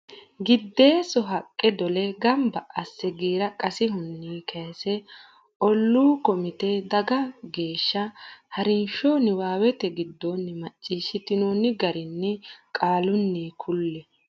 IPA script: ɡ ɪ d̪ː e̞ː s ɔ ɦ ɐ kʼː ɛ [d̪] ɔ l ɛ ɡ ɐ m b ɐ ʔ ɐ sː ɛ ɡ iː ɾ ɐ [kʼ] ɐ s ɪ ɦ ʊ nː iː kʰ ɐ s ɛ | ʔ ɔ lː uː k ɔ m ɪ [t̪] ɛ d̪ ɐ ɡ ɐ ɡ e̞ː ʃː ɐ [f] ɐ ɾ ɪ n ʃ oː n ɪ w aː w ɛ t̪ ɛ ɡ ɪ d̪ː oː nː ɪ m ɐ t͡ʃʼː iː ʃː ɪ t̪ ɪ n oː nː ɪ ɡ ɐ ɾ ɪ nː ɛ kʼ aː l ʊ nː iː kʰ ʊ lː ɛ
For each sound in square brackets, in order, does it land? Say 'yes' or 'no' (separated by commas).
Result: yes, yes, yes, no